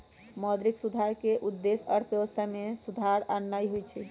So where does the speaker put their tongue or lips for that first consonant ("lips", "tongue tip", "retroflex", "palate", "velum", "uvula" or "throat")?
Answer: lips